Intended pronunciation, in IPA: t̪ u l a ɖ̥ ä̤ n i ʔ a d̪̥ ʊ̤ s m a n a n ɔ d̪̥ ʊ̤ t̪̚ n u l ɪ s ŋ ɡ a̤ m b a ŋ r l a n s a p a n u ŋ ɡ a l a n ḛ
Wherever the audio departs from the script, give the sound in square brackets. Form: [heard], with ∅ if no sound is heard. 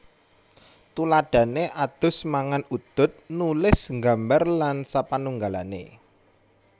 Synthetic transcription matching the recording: t̪ u l a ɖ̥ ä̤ n [e] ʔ a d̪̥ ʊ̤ s m a [ŋ] a n [u] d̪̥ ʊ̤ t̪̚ n u l ɪ s ŋ ɡ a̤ m b a [∅] r l a n s a p a n u ŋ ɡ a l a n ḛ